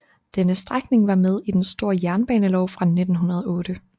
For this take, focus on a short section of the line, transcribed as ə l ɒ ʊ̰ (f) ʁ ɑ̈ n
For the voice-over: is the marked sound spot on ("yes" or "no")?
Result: yes